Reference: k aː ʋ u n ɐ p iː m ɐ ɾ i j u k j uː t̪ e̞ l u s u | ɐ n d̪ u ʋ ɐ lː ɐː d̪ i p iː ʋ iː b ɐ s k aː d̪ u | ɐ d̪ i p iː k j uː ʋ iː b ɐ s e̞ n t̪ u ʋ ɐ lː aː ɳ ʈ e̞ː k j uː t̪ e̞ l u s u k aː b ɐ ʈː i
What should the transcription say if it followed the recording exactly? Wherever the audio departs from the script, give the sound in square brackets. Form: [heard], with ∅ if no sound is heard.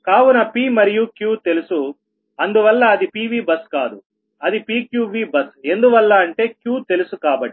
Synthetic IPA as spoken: k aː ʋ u n ɐ p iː m ɐ ɾ i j u k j uː t̪ e̞ l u s u | ɐ n d̪ u ʋ ɐ lː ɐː d̪ i p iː ʋ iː b ɐ s k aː d̪ u | ɐ d̪ i p iː k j uː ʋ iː b ɐ s e̞ n [d̪] u ʋ ɐ lː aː ɳ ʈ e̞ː k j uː t̪ e̞ l u s u k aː b ɐ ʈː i